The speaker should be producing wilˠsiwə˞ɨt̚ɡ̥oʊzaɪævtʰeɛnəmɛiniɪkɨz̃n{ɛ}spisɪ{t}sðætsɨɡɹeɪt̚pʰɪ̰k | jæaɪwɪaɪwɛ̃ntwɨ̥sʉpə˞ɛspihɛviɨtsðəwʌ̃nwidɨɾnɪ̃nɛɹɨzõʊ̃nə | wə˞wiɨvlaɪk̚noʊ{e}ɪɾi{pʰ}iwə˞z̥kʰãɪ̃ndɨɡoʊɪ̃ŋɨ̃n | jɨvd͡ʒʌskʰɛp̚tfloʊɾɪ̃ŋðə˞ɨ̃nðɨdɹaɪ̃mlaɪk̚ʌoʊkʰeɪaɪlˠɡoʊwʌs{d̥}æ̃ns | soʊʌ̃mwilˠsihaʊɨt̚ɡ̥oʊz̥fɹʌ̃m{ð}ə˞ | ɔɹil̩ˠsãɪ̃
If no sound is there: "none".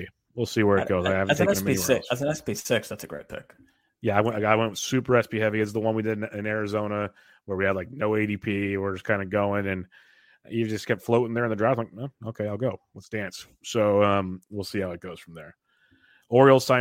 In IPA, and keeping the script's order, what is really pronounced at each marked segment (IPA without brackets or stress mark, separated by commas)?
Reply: ɛ, k, e, pʰ, d̥, ð